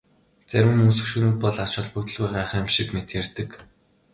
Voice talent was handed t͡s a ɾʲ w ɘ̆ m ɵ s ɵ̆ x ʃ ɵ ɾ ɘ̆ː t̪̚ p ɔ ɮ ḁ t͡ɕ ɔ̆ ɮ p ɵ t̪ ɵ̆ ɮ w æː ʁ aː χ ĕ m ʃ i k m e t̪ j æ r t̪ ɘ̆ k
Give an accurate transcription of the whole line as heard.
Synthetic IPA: t͡s æ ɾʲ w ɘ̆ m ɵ s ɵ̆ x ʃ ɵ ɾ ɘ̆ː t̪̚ p ɔ ɮ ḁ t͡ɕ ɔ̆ ɮ p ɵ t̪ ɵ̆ ɮ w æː ʁ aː χ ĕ m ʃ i k m e t̪ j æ r t̪ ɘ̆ k